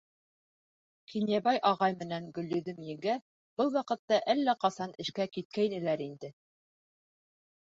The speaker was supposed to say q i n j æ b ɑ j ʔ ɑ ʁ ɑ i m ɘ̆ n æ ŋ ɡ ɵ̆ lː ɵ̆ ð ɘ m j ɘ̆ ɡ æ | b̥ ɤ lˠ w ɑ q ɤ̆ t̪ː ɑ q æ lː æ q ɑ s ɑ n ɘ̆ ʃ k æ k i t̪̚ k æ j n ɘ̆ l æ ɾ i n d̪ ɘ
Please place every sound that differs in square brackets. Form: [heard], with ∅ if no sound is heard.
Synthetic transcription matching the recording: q i n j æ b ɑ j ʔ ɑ ʁ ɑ [j] m ɘ̆ n æ ŋ ɡ ɵ̆ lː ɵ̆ ð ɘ m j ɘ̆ ɡ æ | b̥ ɤ lˠ w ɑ q ɤ̆ t̪ː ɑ [ʔ] æ lː æ q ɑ s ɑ n ɘ̆ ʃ k æ k i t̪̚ k æ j n ɘ̆ l æ ɾ i n d̪ ɘ